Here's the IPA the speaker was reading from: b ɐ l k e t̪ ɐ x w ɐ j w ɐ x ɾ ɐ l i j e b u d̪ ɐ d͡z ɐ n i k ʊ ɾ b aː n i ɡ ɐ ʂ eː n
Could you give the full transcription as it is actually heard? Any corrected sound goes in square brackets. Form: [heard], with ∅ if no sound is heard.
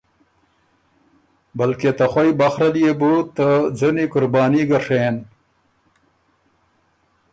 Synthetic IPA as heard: b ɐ l k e t̪ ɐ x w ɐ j [b] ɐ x ɾ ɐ l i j e b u [t̪] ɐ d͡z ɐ n i k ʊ ɾ b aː n i ɡ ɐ ʂ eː n

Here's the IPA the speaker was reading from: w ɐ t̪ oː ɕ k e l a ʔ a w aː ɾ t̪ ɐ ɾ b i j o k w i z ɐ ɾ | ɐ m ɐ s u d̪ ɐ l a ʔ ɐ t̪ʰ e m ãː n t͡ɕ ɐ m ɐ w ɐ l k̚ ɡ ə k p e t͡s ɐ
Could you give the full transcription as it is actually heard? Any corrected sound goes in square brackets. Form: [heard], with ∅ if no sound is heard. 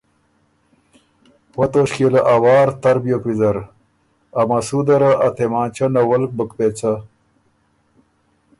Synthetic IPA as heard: w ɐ t̪ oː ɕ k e l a ʔ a w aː ɾ t̪ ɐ ɾ b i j o k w i z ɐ ɾ | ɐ m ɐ s u d̪ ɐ [ɾ] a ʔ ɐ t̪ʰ e m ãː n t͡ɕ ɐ [n] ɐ w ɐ l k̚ [b] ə k p e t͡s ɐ

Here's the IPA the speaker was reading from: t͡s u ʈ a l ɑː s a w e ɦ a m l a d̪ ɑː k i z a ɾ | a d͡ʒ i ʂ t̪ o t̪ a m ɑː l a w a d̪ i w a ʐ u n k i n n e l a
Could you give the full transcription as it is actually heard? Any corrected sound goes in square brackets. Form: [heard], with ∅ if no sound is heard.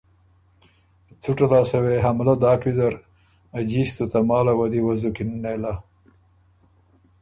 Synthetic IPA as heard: t͡s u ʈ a l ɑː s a w e ɦ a m l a d̪ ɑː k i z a ɾ | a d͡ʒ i [s] t̪ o t̪ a m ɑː l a w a d̪ i w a [z] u [∅] k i n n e l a

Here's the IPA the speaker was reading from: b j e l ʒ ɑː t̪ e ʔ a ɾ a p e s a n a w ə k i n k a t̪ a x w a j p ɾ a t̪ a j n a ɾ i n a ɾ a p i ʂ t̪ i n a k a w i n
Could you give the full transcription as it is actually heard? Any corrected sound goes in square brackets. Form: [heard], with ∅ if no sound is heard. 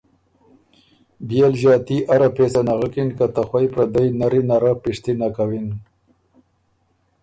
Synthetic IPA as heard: b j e l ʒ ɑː t̪ [i] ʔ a ɾ a p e s a n a [ɣ] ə k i n k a t̪ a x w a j p ɾ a [d̪] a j n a ɾ i n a ɾ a p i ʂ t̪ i n a k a w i n

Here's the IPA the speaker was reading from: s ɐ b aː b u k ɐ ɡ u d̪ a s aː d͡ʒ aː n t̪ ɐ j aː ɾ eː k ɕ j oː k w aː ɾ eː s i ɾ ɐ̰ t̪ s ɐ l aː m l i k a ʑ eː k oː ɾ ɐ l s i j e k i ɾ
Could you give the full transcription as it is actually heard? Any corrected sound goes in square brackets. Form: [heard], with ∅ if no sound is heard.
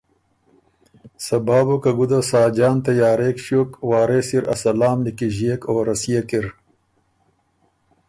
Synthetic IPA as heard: s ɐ b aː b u k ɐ ɡ u d̪ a s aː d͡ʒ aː n t̪ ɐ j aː ɾ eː k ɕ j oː k w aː ɾ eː s i ɾ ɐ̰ [∅] s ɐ l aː m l i k [i] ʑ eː k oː ɾ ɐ [∅] s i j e k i ɾ

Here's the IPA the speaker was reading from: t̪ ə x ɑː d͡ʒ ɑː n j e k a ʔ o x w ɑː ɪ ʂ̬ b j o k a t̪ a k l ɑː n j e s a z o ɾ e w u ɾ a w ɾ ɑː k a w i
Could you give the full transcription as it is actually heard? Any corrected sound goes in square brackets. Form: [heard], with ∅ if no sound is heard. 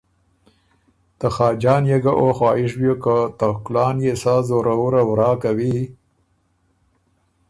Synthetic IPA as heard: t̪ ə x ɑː d͡ʒ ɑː n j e [ɡ] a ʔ o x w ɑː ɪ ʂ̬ b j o k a t̪ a k l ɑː n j e s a z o ɾ [a] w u ɾ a w ɾ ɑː k a w i

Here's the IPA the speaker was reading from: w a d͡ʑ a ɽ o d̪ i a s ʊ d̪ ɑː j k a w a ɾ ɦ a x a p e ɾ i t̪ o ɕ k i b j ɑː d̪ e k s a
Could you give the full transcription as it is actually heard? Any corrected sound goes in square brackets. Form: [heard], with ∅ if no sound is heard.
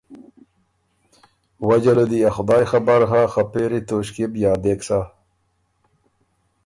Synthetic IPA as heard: w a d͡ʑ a [l] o d̪ i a [x] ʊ d̪ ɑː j [x] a [b] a ɾ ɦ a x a p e ɾ i t̪ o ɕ k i b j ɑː d̪ e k s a

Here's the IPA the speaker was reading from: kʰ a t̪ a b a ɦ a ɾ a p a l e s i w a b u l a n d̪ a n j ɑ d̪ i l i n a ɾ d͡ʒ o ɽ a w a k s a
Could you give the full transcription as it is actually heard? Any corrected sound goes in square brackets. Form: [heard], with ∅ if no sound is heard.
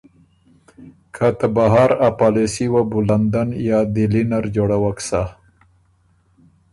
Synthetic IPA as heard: kʰ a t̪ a b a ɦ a ɾ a p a l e s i w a b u l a n d̪ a n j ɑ d̪ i l i n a ɾ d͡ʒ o ɽ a w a k s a

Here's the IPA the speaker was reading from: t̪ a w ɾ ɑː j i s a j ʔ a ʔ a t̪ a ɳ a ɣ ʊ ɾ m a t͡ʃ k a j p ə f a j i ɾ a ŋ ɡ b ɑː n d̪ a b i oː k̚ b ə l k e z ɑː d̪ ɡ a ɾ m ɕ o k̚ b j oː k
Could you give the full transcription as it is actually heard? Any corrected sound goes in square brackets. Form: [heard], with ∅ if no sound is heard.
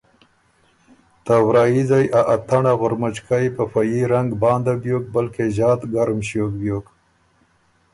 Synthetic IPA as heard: t̪ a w ɾ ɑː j i [z] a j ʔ a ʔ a t̪ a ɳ a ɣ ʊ ɾ m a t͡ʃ k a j p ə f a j i ɾ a ŋ ɡ b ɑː n d̪ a b [j] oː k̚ b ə l k e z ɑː [t̪] ɡ a ɾ m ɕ o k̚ b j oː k

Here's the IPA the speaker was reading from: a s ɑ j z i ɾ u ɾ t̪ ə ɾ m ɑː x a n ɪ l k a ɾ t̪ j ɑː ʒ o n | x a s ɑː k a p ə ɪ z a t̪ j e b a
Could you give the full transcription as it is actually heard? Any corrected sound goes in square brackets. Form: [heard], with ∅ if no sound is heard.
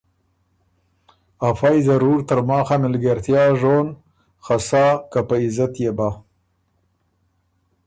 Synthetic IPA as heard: a [f] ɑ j z [a] ɾ u ɾ t̪ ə ɾ m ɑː x a [m] ɪ l [ɡ] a ɾ t̪ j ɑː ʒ o n | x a s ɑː k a p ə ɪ z a t̪ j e b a

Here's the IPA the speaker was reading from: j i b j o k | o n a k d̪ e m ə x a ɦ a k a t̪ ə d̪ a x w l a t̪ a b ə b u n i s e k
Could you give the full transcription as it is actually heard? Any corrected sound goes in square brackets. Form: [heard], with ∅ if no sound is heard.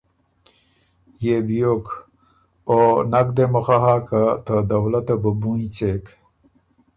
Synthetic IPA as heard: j [e] b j o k | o n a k d̪ e m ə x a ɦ a k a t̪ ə d̪ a [∅] w l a t̪ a b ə b u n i [t͡s] e k

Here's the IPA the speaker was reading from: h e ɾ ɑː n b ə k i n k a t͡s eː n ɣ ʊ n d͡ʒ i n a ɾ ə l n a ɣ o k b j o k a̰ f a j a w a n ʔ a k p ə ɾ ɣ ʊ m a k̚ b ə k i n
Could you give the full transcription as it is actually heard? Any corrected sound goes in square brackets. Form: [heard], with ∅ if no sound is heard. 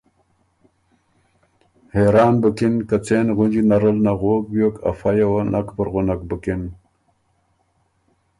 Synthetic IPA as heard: h e ɾ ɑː n b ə k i n k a t͡s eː n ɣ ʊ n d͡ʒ i n a ɾ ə l n a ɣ o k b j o k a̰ f a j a w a n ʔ a k p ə ɾ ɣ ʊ [n] a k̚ b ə k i n

